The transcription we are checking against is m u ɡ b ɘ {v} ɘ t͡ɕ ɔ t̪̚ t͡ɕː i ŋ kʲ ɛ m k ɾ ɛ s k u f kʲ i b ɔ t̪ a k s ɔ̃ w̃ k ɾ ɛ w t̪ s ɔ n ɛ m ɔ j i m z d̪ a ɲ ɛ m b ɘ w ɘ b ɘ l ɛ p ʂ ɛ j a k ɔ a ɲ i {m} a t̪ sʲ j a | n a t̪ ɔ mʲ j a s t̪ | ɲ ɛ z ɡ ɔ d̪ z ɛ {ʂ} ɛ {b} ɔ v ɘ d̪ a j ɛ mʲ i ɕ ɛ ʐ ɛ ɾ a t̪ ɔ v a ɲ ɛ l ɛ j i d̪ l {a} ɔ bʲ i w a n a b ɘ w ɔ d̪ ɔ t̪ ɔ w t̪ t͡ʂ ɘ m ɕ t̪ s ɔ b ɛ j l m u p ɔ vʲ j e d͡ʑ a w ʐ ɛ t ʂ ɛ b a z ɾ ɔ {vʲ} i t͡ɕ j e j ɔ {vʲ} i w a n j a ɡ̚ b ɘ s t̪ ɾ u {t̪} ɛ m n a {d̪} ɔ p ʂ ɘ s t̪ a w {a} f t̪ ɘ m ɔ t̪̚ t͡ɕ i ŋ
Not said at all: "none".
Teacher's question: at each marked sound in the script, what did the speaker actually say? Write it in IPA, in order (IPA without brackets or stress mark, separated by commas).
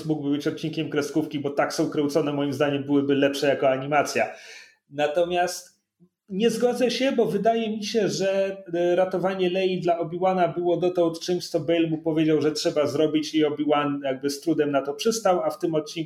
b, m, ɕ, b, a, bʲ, bʲ, d̪, t̪, a